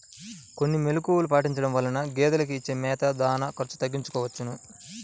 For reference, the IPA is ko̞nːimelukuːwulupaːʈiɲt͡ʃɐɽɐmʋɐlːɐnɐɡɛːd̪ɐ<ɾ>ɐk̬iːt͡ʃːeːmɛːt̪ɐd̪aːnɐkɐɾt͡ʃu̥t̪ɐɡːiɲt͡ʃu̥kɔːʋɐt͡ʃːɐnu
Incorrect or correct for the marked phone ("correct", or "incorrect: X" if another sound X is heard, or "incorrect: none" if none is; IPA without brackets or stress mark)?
incorrect: l